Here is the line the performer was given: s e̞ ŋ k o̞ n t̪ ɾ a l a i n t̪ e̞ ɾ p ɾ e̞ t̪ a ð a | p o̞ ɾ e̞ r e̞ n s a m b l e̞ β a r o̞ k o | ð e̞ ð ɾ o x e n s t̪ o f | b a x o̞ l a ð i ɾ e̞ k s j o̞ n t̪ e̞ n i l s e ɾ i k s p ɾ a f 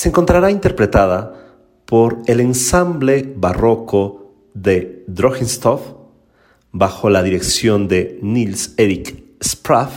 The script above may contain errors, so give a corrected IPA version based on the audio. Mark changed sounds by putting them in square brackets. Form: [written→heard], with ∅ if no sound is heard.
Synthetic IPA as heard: s e̞ ŋ k o̞ n t̪ ɾ a [l→ɾ] a i n t̪ e̞ ɾ p ɾ e̞ t̪ a ð a | p o̞ ɾ e̞ [r→l] e̞ n s a m b l e̞ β a r o̞ k o | ð e̞ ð ɾ o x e n s t̪ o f | b a x o̞ l a ð i ɾ e̞ k s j o̞ n [t̪→d̪] e̞ n i l s e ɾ i k s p ɾ a f